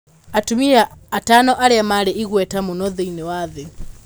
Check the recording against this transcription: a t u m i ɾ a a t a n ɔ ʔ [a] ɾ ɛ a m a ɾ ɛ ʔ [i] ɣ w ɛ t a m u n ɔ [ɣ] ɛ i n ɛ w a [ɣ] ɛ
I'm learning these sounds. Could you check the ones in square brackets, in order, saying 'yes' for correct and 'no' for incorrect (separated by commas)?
yes, yes, no, no